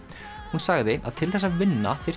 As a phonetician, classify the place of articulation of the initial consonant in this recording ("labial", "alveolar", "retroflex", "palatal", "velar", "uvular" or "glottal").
glottal